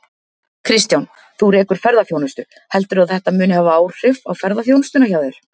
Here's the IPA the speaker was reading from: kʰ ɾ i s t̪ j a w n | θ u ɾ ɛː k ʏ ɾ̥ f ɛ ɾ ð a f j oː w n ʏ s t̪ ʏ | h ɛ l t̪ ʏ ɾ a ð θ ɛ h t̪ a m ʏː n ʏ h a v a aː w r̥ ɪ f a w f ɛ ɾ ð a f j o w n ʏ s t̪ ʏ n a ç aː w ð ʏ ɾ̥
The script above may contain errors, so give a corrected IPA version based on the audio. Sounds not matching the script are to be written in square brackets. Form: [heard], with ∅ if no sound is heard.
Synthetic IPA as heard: kʰ ɾ [ɪ] s t̪ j a w n | θ u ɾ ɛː k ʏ ɾ̥ f ɛ ɾ ð a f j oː w n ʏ s t̪ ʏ | h ɛ l t̪ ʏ ɾ a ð θ ɛ h t̪ a m ʏː n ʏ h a v a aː w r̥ ɪ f a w f ɛ ɾ ð a f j o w n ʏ s t̪ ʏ n a ç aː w ð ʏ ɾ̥